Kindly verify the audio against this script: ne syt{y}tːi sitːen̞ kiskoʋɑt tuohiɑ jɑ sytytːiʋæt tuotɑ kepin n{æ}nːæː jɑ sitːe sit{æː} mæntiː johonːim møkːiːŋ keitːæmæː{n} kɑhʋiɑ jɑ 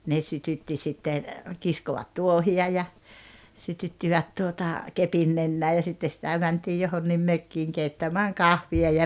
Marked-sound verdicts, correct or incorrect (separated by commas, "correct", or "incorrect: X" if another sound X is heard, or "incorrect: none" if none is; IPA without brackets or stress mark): correct, incorrect: e, incorrect: æ, incorrect: ŋ